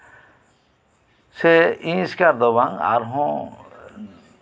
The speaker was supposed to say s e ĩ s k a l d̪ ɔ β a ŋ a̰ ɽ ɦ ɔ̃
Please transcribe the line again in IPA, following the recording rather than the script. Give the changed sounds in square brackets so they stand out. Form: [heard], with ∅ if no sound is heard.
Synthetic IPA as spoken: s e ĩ s k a [ɾ] d̪ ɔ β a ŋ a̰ [ɾ] ɦ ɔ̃